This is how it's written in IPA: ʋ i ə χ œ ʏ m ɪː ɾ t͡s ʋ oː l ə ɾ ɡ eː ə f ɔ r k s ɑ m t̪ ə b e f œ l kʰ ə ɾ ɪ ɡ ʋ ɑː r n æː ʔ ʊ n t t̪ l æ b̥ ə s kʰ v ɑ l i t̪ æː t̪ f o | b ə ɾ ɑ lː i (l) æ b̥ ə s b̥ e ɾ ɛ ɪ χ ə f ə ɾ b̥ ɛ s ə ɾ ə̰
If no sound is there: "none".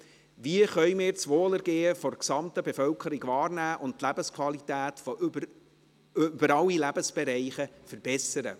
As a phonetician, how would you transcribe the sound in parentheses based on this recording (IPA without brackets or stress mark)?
l